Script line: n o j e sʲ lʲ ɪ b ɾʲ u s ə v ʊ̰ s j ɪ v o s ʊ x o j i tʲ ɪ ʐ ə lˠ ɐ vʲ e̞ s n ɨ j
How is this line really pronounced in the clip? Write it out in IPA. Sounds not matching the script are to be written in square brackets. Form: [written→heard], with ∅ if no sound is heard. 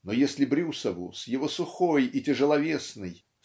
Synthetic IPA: n o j e sʲ lʲ ɪ b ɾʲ u s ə v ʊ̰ s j ɪ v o s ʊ x o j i tʲ ɪ ʐ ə lˠ ɐ vʲ e̞ s n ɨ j